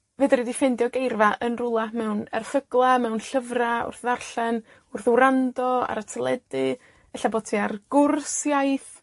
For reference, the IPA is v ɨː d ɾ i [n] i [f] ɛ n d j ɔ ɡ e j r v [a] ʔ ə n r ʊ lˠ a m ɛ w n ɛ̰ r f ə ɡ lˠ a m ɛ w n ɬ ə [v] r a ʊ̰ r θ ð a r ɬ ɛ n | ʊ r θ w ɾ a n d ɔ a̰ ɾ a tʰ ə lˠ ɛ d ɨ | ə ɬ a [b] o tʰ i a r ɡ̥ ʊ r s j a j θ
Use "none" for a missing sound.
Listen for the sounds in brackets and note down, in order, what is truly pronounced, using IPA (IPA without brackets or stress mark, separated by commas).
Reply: d, f, a, v, b